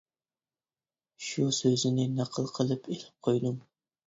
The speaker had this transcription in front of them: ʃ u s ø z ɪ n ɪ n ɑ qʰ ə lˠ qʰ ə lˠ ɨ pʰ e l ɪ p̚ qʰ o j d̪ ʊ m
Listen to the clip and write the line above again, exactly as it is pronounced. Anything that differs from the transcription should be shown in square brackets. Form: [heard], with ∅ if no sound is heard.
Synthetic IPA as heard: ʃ u s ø z ɪ n ɪ n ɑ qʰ ə lˠ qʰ ə lˠ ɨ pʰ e l ɪ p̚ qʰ o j d̪ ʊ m